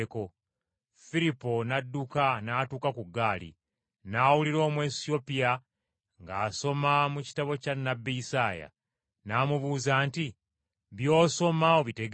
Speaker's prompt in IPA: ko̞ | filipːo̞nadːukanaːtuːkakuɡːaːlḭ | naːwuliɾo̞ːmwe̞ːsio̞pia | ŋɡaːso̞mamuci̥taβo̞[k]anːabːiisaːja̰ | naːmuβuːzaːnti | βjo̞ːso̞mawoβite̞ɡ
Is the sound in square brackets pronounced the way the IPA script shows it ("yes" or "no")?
no